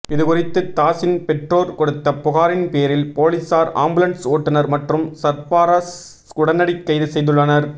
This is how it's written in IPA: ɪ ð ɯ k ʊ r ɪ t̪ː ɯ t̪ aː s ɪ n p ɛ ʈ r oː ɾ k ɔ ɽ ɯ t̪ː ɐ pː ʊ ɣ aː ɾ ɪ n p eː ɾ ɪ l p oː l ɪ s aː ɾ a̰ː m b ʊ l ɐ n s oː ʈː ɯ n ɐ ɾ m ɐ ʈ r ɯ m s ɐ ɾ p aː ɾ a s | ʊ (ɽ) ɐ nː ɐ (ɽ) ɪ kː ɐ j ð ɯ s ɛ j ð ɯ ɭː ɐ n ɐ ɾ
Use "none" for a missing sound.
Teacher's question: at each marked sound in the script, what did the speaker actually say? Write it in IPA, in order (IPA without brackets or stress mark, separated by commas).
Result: ɽ, ɽ